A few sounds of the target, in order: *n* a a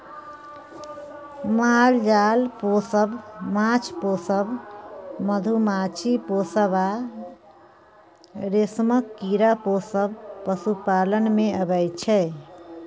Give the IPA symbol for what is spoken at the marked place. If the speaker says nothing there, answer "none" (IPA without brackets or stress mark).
m